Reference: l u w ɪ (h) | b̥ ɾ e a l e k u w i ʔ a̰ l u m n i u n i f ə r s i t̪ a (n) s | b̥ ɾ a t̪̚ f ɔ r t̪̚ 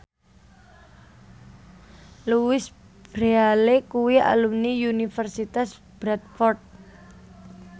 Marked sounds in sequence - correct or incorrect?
incorrect: s, incorrect: none

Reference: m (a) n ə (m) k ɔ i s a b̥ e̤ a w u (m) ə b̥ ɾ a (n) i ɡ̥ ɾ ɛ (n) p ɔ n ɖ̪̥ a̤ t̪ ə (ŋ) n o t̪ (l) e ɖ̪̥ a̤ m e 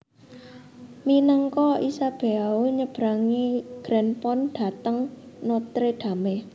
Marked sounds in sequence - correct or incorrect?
incorrect: i, incorrect: ŋ, incorrect: ɲ, incorrect: ŋ, correct, correct, incorrect: ɾ

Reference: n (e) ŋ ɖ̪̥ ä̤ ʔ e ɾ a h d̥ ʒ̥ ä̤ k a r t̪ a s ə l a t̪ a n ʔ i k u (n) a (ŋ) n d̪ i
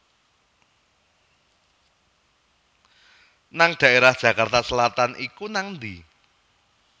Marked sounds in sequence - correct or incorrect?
incorrect: a, correct, correct

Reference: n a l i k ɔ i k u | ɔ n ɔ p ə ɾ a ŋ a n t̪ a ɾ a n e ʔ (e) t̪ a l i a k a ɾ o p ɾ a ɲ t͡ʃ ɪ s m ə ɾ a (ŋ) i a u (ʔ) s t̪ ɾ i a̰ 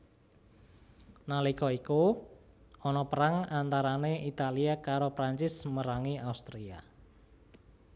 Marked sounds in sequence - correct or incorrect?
incorrect: i, correct, incorrect: none

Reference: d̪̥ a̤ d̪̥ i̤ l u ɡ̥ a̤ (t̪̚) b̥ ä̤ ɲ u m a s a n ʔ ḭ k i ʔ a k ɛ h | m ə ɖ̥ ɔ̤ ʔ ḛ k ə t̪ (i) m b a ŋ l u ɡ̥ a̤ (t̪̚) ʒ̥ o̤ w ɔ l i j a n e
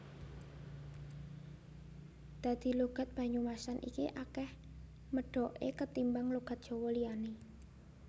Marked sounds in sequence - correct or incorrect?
correct, correct, correct

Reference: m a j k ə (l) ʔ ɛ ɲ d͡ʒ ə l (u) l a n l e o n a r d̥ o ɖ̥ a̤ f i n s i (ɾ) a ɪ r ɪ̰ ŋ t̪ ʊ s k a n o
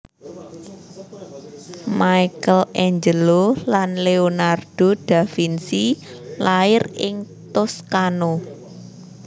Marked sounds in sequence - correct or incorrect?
correct, incorrect: o, incorrect: l

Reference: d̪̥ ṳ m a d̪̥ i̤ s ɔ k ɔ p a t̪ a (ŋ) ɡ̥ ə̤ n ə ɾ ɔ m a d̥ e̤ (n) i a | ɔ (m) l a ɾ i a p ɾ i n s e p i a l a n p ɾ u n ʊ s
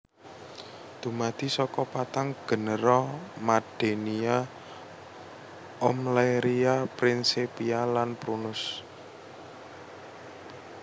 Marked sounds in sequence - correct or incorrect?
correct, correct, correct

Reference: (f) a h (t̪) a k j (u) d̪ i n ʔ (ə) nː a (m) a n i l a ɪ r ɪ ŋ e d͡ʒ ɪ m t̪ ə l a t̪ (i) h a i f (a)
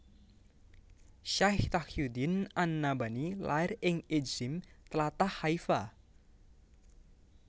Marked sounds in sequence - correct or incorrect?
incorrect: ʃ, correct, correct, incorrect: a, incorrect: b, incorrect: a, correct

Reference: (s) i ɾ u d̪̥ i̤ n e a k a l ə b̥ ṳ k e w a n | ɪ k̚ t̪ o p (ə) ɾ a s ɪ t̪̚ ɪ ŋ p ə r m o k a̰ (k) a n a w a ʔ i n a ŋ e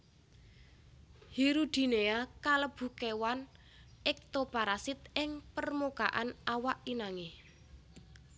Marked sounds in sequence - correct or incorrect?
incorrect: h, incorrect: a, incorrect: ʔ

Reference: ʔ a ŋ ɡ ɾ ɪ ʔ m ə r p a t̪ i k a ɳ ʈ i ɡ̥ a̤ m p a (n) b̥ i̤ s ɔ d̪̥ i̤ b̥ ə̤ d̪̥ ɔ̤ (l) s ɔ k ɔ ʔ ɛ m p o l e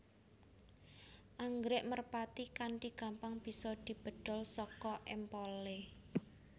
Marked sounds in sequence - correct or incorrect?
incorrect: ŋ, correct

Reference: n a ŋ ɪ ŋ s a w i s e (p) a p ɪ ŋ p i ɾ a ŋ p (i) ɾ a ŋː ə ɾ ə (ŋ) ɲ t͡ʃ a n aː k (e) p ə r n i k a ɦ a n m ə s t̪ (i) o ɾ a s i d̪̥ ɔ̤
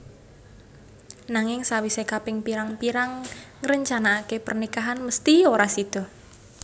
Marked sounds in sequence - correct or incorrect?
incorrect: k, correct, incorrect: none, correct, correct

